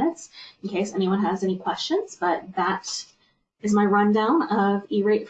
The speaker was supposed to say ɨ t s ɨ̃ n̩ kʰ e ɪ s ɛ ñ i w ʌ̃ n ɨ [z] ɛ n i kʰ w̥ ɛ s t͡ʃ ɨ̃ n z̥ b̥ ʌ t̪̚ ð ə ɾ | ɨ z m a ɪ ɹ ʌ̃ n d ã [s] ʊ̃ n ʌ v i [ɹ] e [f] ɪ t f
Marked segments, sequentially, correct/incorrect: correct, incorrect, correct, incorrect

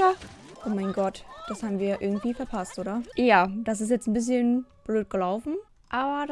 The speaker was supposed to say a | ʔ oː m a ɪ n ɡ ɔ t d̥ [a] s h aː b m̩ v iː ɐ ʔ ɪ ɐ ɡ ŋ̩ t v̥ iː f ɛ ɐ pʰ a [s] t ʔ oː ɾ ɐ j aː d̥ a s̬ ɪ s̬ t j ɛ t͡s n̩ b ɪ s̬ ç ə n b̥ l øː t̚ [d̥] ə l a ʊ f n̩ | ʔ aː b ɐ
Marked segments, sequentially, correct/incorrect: correct, correct, incorrect

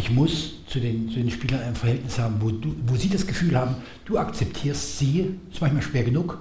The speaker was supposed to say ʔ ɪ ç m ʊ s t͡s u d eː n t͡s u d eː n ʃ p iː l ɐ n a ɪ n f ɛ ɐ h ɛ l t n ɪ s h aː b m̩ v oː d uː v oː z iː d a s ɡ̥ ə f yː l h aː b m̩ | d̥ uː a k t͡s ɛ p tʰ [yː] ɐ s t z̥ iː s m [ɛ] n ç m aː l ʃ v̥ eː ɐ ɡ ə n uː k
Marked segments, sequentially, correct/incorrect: incorrect, incorrect

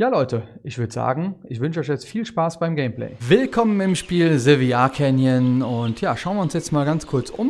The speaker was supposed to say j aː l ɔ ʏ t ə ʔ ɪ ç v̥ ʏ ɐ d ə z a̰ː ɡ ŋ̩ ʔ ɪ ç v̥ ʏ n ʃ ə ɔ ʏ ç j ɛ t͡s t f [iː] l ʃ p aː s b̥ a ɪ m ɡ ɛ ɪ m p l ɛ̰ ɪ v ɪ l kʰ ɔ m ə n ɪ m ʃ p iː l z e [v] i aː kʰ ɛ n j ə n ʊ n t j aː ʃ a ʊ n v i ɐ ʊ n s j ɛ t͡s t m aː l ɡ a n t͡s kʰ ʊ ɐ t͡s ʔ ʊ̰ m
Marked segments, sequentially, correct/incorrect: correct, correct

